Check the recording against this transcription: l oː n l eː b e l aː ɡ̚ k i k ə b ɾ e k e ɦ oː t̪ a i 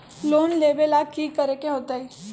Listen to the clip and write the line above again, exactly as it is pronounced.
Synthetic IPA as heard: l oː n l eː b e l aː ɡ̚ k i k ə ɾ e k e ɦ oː t̪ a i